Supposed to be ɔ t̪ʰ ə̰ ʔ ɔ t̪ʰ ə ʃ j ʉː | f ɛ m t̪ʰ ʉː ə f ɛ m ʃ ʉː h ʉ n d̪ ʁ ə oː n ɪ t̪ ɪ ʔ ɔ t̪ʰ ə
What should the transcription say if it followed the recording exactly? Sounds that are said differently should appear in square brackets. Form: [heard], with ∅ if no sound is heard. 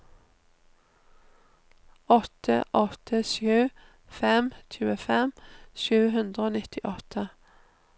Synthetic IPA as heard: ɔ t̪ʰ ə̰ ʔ ɔ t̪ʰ ə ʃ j ʉː | f ɛ m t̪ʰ ʉː ə f ɛ m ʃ ʉː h ʉ n d̪ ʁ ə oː n ɪ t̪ ɪ ʔ ɔ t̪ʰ ə

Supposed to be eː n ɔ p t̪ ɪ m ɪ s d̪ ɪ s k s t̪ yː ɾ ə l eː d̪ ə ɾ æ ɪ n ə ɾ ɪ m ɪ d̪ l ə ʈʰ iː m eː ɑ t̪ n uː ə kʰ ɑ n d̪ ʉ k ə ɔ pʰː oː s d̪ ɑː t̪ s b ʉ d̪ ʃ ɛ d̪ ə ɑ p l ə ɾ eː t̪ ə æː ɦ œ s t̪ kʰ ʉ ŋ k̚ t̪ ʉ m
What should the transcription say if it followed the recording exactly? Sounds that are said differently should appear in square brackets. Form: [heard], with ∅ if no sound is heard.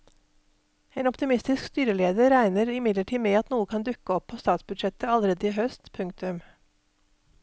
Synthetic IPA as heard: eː n ɔ p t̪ ɪ m ɪ s [t̪] ɪ s k s t̪ yː ɾ ə l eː d̪ ə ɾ æ ɪ n ə ɾ ɪ m ɪ d̪ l ə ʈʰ iː m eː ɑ t̪ n uː ə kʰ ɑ n d̪ ʉ k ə ɔ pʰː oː s [t̪] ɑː t̪ s b ʉ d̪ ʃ ɛ [t̪] ə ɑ [∅] l ə ɾ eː [d̪] ə [iː] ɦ œ s t̪ [pʰ] ʉ ŋ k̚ t̪ ʉ m

